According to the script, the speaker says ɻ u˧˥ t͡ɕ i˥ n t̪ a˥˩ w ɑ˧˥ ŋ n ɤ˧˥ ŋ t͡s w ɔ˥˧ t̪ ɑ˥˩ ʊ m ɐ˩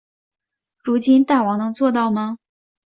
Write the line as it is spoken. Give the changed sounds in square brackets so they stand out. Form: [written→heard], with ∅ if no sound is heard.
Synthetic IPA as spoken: ɻ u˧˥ t͡ɕ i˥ n t̪ a˥˩ w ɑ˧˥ ŋ n ɤ˧˥ ŋ t͡s w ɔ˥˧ t̪ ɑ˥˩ ʊ m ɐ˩